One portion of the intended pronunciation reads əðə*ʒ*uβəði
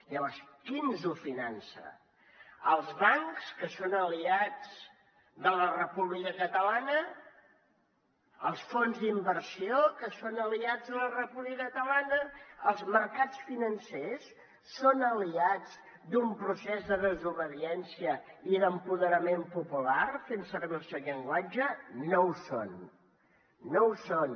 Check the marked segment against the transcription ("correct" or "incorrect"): incorrect